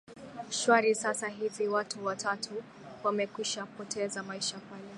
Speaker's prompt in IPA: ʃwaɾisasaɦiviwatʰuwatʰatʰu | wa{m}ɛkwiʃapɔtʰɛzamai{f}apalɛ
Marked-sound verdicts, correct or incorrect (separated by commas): correct, incorrect